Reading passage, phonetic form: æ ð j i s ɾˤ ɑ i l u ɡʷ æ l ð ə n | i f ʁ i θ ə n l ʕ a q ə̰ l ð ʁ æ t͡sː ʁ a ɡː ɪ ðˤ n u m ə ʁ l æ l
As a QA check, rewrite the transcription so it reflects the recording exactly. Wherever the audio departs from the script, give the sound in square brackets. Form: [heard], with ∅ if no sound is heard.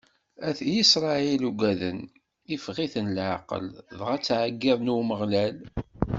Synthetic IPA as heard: æ [θ] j i s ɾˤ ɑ i l u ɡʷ æ [∅] ð ə n | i f ʁ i θ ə n l ʕ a q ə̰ l ð ʁ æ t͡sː [ʕ] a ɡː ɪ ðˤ n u m ə ʁ l æ l